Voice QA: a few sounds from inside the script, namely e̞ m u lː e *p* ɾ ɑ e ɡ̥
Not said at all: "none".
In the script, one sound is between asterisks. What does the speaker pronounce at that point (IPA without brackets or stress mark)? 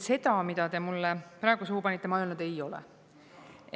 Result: p